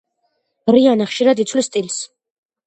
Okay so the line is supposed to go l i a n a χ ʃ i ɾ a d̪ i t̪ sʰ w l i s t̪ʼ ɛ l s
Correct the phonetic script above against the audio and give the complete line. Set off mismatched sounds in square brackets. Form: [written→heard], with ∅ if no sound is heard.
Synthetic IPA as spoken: [l→ɾ] i a n a χ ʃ i ɾ a d̪ i t̪ sʰ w l i s t̪ʼ [ɛ→i] l s

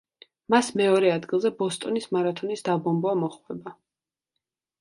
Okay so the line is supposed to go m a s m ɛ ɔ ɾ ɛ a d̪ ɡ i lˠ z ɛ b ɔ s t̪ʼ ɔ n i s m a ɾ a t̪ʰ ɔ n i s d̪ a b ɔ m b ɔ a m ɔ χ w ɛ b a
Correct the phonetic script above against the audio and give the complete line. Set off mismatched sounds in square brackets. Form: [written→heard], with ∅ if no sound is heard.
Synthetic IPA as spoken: m a s m ɛ ɔ ɾ ɛ a d̪ ɡ i lˠ z ɛ b ɔ s t̪ʼ ɔ n i s m a ɾ a t̪ʰ ɔ n i s d̪ a b ɔ m b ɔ a m ɔ χ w ɛ b a

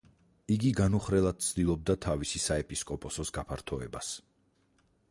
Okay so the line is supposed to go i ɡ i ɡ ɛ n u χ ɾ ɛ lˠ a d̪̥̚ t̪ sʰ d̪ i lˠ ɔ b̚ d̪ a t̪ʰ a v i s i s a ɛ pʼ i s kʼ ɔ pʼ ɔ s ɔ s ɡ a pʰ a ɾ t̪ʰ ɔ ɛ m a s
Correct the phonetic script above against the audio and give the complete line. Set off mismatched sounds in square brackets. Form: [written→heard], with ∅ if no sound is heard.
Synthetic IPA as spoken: i ɡ i ɡ [ɛ→a] n u χ ɾ ɛ lˠ a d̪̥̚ t̪ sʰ d̪ i lˠ ɔ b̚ d̪ a t̪ʰ a v i s i s a ɛ pʼ i s kʼ ɔ pʼ ɔ s ɔ s ɡ a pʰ a ɾ t̪ʰ ɔ ɛ [m→b] a s

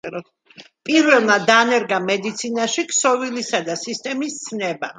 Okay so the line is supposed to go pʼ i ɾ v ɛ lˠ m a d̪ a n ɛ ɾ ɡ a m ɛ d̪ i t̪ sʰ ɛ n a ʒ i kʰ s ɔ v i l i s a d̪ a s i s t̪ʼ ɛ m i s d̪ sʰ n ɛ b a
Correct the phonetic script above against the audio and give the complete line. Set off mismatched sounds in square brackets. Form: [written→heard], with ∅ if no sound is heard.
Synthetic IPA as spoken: pʼ i ɾ v ɛ lˠ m a d̪ a n ɛ ɾ ɡ a m ɛ d̪ i t̪ sʰ [ɛ→i] n a [ʒ→ʃ] i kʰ s ɔ v i l i s a d̪ a s i s t̪ʼ ɛ m i s [d̪→t̪] sʰ n ɛ b a

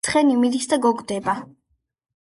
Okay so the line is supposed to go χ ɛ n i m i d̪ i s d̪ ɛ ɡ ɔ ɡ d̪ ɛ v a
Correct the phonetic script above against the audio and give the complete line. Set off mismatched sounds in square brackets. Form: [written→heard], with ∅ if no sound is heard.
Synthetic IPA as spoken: χ ɛ n i m i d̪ i s d̪ [ɛ→a] ɡ ɔ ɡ d̪ ɛ [v→b] a

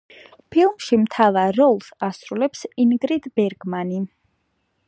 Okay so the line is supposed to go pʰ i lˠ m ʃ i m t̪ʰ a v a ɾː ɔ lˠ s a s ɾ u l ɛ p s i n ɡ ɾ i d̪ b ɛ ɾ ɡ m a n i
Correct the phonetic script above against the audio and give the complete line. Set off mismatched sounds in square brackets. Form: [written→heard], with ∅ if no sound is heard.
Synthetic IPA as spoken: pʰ i lˠ m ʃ i m t̪ʰ a v a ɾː ɔ lˠ s a s ɾ u l ɛ p s i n ɡ ɾ i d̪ b ɛ ɾ ɡ m a n i

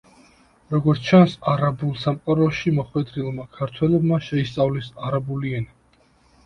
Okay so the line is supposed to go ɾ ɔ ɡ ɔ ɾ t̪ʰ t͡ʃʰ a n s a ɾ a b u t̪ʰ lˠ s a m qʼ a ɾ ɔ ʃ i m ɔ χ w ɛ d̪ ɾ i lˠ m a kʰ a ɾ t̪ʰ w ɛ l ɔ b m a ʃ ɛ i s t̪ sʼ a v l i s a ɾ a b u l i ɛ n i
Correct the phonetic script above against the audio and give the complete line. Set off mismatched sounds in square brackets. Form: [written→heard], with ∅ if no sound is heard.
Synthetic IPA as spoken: ɾ ɔ ɡ ɔ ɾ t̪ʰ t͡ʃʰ a n s a ɾ a b u [t̪ʰ→∅] lˠ s a m qʼ a ɾ ɔ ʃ i m ɔ χ w ɛ d̪ ɾ i lˠ m a kʰ a ɾ t̪ʰ w ɛ l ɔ b m a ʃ ɛ i s t̪ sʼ a v l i s a ɾ a b u l i ɛ n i

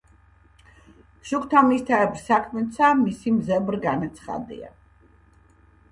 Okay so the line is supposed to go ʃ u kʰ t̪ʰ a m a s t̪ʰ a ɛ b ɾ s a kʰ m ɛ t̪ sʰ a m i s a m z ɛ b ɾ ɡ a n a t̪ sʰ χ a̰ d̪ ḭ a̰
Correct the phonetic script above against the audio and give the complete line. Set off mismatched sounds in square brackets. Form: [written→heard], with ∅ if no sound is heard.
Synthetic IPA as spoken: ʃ u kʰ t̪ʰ a m [a→i] s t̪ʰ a ɛ b ɾ s a kʰ m ɛ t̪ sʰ a m i s [a→i] m z ɛ b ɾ ɡ a n a t̪ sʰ χ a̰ d̪ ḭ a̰

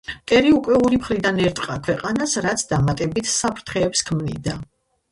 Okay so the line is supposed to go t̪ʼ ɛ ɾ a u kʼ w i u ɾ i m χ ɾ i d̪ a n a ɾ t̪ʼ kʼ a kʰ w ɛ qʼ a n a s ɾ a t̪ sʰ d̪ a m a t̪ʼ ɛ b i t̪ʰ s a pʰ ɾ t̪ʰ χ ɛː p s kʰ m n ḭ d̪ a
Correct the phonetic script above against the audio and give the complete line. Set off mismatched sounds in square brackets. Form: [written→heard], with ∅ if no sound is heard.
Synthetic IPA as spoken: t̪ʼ ɛ ɾ [a→i] u kʼ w [i→ɛ] u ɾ i m χ ɾ i d̪ a n [a→ɛ] ɾ t̪ʼ [kʼ→qʼ] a kʰ w ɛ qʼ a n a s ɾ a t̪ sʰ d̪ a m a t̪ʼ ɛ b i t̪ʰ s a pʰ ɾ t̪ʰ χ ɛː p s kʰ m n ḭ d̪ a

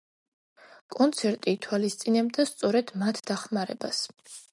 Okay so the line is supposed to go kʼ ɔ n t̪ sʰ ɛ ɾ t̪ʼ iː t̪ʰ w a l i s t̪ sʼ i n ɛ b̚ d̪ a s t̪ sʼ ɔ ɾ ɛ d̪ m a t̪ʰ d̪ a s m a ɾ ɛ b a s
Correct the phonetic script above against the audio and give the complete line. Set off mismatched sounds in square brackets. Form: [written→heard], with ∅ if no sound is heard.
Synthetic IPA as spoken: kʼ ɔ n t̪ sʰ ɛ ɾ t̪ʼ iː t̪ʰ w a l i s t̪ sʼ i n ɛ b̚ d̪ a s t̪ sʼ ɔ ɾ ɛ d̪ m a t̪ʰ d̪ a [s→χ] m a ɾ ɛ b a s

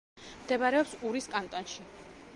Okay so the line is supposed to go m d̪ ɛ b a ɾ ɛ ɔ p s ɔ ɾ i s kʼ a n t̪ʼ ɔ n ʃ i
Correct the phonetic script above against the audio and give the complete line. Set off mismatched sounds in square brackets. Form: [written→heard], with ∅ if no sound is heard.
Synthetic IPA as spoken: m d̪ ɛ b a ɾ ɛ ɔ p s [ɔ→u] ɾ i s kʼ a n t̪ʼ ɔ n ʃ i

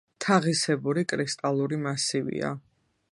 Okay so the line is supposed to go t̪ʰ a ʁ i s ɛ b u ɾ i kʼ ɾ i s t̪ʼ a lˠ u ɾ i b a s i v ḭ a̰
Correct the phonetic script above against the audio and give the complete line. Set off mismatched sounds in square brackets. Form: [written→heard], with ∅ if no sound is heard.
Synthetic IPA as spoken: t̪ʰ a ʁ i s ɛ b u ɾ i kʼ ɾ i s t̪ʼ a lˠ u ɾ i [b→m] a s i v ḭ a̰

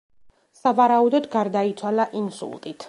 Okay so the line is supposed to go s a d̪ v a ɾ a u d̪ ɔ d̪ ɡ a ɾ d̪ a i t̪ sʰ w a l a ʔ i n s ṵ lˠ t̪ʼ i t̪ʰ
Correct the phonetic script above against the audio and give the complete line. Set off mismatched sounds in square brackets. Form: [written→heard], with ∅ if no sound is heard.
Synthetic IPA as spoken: s a [d̪→∅] v a ɾ a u d̪ ɔ d̪ ɡ a ɾ d̪ a i t̪ sʰ w a l a ʔ i n s ṵ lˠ t̪ʼ i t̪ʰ

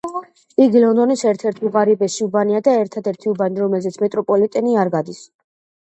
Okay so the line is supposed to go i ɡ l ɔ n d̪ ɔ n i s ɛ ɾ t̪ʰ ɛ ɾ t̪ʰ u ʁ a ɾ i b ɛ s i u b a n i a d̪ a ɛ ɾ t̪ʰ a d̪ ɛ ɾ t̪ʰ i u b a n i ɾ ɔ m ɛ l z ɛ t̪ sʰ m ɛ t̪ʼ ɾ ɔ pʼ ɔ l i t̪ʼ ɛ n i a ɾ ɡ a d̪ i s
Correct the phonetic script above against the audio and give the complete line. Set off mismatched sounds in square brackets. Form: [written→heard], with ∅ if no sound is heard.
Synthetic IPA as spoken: i ɡ l ɔ n d̪ ɔ n i s ɛ ɾ t̪ʰ ɛ ɾ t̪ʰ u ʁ a ɾ i b ɛ s i u b a n i a d̪ a ɛ ɾ t̪ʰ a d̪ ɛ ɾ t̪ʰ i u b a n i ɾ ɔ m ɛ l z ɛ t̪ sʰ m ɛ t̪ʼ ɾ ɔ pʼ ɔ l i t̪ʼ ɛ n i a ɾ ɡ a d̪ i s

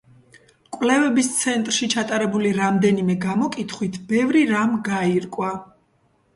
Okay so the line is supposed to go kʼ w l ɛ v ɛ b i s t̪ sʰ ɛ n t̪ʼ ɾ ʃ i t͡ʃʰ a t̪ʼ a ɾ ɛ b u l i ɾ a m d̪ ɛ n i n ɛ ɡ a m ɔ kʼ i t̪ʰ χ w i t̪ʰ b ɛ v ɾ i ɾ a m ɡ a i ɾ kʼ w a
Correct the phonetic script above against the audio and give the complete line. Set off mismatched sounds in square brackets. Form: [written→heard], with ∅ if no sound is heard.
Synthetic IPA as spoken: kʼ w l ɛ v ɛ b i s t̪ sʰ ɛ n t̪ʼ ɾ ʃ i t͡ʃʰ a t̪ʼ a ɾ ɛ b u l i ɾ a m d̪ ɛ n i [n→m] ɛ ɡ a m ɔ kʼ i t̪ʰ χ w i t̪ʰ b ɛ v ɾ i ɾ a m ɡ a i ɾ kʼ w a

